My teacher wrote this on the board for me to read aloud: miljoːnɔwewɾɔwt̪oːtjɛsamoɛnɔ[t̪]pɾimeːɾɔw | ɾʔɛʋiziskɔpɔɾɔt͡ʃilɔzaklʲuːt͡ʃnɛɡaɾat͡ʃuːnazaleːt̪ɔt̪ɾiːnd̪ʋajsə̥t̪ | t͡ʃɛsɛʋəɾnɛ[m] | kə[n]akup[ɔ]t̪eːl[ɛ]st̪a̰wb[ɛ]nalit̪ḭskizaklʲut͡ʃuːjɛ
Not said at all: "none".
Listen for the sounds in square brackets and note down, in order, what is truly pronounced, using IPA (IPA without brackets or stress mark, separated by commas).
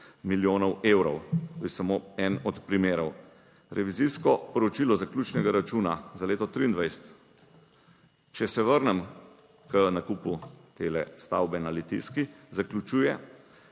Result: t̪, m, n, u, ɛ, ɛ